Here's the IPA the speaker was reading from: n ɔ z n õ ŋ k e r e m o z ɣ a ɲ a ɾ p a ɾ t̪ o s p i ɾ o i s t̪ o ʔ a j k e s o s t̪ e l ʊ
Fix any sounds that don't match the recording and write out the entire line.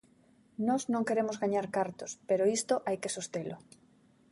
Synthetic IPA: n ɔ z n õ ŋ k e ɾ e m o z ɣ a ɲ a ɾ k a ɾ t̪ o s p e ɾ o i s t̪ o ʔ a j k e s o s t̪ e l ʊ